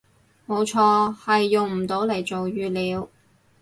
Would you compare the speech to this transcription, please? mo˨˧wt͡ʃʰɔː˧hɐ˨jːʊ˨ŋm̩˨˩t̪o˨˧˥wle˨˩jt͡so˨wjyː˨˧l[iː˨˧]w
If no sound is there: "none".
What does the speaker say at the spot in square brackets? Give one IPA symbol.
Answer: iː˨˧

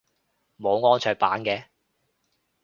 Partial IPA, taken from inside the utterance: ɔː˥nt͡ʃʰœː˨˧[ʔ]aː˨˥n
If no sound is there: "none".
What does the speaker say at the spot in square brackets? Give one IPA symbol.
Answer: p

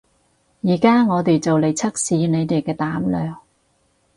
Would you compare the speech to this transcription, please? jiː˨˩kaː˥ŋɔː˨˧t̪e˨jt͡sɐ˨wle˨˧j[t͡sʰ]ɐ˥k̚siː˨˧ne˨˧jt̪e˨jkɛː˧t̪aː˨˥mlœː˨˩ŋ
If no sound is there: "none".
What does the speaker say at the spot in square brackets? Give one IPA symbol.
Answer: t͡sʰ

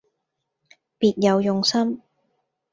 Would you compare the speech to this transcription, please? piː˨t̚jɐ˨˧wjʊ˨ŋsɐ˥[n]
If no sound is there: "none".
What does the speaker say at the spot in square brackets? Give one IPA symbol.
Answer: m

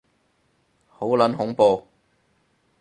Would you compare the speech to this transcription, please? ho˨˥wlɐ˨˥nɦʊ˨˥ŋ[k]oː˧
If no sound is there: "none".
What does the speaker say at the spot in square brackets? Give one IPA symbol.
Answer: p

